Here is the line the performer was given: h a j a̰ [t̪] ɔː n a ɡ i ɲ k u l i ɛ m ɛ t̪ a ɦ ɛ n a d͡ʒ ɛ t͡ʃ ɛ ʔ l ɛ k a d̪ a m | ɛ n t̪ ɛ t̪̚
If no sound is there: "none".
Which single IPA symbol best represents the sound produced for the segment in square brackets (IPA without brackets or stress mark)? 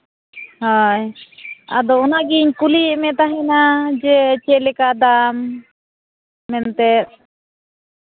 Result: d̪